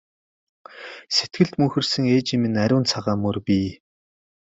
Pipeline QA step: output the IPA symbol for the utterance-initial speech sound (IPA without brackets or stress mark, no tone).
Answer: s